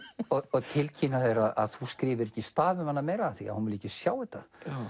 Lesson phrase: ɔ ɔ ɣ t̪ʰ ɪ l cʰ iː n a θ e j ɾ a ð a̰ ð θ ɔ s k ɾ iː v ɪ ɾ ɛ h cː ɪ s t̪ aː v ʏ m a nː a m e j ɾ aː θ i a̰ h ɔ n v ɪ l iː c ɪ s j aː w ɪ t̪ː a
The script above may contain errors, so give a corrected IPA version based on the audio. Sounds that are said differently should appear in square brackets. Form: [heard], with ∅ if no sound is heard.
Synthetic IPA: ɔ ɔ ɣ t̪ʰ ɪ l cʰ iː n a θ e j ɾ a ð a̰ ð θ [u] s k ɾ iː v ɪ ɾ ɛ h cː ɪ s t̪ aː v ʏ m a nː a m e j ɾ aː θ i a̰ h [u] n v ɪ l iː c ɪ s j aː w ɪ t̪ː a